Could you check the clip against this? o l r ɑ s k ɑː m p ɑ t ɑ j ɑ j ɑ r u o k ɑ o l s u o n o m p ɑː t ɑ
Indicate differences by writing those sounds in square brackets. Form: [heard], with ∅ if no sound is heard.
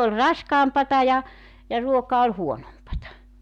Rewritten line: o l r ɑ s k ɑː m p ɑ t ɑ j ɑ j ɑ r u o k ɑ o l [h] u o n o m p [ɑ] t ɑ